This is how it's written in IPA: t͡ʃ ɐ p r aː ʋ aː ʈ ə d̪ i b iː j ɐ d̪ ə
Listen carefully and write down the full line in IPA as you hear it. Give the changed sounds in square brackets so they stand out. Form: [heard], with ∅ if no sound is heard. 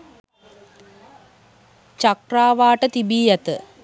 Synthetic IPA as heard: t͡ʃ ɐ [k] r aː ʋ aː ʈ ə [t̪] i b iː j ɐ [t̪] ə